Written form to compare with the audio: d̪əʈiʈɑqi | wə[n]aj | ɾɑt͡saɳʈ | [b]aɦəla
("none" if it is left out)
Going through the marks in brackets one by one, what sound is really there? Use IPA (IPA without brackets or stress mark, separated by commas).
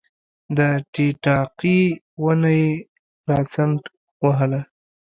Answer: n, w